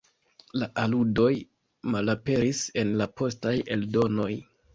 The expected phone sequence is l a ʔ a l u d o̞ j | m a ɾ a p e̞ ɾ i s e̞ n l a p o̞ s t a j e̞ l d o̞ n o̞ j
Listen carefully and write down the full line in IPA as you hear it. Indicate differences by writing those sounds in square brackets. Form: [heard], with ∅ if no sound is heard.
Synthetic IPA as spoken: l a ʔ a l u d o̞ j | m a [l] a p e̞ ɾ i s e̞ n l a p o̞ s t a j e̞ l d o̞ n o̞ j